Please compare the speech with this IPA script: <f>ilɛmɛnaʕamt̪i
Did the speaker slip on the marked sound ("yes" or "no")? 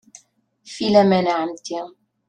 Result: no